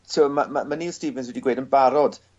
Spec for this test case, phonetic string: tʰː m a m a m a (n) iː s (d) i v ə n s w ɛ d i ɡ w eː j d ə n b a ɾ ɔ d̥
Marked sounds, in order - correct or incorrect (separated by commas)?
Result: correct, incorrect